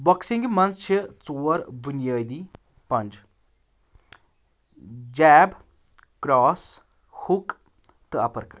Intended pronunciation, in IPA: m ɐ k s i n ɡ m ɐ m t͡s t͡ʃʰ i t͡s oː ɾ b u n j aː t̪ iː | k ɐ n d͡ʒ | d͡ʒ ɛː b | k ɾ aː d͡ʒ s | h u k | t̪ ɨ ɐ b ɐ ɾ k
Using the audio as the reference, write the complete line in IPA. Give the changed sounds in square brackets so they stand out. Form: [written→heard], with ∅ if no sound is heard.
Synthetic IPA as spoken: [m→b] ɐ k s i [n→ŋ] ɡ m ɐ [m→n] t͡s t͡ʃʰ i t͡s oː ɾ b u n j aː [t̪→d̪] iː | [k→p] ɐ n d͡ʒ | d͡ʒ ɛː b | k ɾ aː [d͡ʒ→∅] s | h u k | t̪ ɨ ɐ [b→p] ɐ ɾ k